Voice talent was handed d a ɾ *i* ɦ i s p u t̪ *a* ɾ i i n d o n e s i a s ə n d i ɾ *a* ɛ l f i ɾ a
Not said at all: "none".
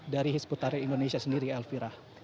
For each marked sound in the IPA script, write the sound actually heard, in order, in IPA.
i, a, i

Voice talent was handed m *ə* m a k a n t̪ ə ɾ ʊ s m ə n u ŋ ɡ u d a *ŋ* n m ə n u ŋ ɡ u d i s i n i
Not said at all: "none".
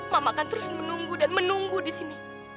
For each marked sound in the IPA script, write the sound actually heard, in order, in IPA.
a, none

